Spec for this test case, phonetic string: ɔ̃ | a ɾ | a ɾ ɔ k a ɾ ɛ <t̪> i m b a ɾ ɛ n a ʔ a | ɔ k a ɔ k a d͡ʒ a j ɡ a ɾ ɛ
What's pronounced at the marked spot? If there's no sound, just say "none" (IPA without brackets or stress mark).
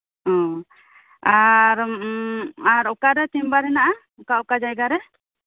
t̪